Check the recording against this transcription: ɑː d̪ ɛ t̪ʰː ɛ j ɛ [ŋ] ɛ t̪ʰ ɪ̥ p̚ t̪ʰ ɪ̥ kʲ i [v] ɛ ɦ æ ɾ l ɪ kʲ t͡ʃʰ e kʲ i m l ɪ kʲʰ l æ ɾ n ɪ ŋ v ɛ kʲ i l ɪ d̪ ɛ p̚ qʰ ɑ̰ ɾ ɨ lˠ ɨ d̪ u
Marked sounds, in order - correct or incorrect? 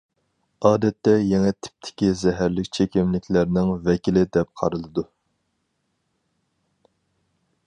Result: correct, incorrect

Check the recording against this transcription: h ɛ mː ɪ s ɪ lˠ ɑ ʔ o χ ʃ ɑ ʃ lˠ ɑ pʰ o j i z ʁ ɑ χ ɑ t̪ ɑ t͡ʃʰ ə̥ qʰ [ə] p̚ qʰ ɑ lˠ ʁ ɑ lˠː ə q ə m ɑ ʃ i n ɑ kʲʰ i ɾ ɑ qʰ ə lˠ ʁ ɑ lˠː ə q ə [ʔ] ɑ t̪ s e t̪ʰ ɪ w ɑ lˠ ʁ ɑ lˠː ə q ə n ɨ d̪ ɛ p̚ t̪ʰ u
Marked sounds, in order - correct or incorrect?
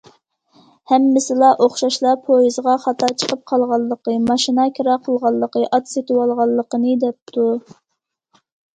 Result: correct, correct

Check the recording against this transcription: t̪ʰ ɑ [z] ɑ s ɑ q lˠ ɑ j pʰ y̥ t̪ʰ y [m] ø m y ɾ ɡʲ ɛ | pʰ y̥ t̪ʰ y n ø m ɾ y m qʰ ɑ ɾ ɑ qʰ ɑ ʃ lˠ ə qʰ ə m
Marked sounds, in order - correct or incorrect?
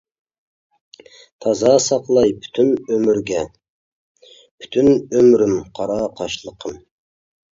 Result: correct, incorrect

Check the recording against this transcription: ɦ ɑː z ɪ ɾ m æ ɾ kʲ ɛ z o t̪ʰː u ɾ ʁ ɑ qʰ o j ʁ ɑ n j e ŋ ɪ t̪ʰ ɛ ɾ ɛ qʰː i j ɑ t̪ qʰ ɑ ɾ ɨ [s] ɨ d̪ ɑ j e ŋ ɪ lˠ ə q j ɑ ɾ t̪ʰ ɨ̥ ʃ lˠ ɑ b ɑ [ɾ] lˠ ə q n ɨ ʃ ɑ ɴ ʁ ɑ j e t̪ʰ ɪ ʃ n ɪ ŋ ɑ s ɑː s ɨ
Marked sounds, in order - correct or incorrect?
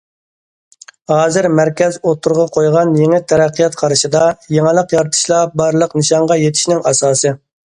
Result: incorrect, correct

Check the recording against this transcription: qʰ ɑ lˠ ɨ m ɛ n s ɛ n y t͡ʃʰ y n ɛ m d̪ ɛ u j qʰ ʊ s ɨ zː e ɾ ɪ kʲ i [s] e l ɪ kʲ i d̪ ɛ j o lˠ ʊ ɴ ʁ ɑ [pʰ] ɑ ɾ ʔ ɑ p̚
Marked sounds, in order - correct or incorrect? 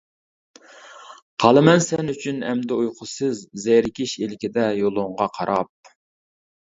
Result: incorrect, incorrect

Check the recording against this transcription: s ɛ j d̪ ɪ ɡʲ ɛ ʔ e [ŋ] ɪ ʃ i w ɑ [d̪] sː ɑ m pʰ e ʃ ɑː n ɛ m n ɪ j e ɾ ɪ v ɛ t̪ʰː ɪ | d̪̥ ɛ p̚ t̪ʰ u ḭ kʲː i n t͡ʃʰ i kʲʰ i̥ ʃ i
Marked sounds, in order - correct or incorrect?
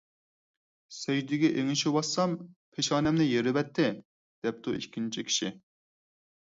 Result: correct, incorrect

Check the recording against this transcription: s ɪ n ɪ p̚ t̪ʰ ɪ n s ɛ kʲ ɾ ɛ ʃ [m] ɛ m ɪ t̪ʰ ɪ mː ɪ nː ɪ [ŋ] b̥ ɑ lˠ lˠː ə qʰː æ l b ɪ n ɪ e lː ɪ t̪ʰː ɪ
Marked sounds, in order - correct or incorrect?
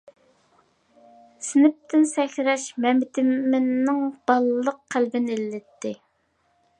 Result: correct, correct

